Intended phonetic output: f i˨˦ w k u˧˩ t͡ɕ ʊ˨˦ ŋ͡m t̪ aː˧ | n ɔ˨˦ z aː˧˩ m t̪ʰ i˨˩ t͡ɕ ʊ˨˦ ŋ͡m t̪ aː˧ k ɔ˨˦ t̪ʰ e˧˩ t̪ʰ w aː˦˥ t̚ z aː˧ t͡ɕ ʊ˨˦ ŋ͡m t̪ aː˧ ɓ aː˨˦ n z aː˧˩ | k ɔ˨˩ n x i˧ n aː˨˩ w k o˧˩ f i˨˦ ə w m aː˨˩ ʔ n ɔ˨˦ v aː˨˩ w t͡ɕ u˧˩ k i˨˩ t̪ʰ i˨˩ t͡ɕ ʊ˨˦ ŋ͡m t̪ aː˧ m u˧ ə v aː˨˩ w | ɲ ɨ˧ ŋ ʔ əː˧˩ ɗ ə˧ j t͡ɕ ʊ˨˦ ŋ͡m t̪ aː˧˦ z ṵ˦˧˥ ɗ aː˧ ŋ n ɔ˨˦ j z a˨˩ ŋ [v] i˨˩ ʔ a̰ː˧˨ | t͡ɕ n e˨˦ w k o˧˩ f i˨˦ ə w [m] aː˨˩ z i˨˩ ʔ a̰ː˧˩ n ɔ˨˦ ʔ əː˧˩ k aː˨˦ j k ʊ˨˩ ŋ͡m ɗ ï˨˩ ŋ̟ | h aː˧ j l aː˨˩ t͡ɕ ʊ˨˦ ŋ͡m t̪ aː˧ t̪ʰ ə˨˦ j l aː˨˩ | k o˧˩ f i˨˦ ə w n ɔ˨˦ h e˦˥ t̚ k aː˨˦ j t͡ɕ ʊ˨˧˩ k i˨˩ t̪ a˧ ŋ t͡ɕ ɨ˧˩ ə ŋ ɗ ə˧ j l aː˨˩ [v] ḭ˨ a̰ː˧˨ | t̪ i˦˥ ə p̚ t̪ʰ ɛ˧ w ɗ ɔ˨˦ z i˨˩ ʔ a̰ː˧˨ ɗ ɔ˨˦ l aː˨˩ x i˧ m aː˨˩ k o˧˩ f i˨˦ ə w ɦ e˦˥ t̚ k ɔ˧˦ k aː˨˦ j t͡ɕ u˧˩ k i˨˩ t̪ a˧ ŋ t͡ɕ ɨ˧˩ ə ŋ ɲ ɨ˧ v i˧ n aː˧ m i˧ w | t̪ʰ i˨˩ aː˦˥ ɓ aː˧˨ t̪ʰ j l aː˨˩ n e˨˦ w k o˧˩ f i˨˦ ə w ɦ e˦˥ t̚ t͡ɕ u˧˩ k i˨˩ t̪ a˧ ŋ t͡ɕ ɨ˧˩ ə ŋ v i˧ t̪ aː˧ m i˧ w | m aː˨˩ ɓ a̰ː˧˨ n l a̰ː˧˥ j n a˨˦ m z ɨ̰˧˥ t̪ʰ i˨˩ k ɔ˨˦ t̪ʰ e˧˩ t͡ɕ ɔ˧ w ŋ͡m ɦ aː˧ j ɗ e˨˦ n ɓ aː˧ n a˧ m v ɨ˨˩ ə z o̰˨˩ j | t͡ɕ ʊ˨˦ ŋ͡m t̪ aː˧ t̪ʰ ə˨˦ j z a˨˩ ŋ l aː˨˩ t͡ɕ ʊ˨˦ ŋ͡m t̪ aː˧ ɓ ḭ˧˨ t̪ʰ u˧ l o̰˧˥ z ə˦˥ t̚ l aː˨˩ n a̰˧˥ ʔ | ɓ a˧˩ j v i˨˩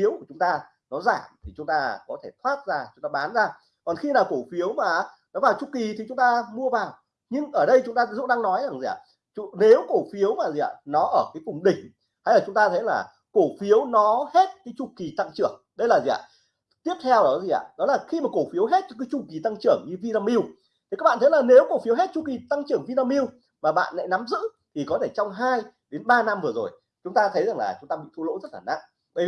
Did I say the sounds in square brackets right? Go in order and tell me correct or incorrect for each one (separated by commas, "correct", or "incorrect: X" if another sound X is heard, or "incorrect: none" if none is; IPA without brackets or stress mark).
incorrect: z, correct, incorrect: z